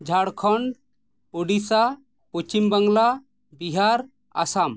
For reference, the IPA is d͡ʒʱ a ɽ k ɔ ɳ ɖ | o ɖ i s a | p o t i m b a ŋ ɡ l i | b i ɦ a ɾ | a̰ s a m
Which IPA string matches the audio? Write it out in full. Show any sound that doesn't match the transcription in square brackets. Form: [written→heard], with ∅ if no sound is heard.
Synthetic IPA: d͡ʒʱ a ɽ [k→kʰ] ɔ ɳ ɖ | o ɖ i s a | p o [t→t͡ʃ] i m b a ŋ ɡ l [i→a] | b i ɦ a ɾ | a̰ s a m